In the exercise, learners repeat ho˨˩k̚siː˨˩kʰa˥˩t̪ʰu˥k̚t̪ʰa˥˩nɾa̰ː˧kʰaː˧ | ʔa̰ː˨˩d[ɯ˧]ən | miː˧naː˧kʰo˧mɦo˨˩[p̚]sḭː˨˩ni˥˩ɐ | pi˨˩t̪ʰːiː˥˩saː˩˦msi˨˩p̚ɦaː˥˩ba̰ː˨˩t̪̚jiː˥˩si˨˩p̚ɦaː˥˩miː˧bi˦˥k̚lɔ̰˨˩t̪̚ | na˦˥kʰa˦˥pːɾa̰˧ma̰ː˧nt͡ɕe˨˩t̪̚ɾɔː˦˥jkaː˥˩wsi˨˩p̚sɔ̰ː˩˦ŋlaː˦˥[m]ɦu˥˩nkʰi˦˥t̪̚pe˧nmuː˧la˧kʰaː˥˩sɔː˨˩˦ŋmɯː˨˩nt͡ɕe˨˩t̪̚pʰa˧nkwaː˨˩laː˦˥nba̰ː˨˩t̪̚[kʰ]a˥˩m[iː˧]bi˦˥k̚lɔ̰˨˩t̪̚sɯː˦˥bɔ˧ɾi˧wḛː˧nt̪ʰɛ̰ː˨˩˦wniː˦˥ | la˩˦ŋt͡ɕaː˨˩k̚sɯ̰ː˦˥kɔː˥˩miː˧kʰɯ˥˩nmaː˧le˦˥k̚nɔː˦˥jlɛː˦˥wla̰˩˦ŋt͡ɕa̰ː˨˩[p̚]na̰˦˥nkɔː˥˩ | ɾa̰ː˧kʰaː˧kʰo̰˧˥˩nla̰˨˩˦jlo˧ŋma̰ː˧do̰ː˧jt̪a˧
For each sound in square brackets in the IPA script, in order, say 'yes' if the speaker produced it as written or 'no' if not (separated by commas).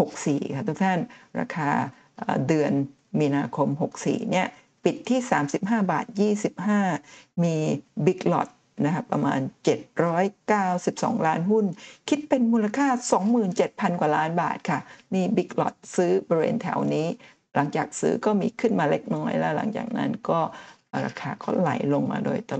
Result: yes, no, no, yes, yes, no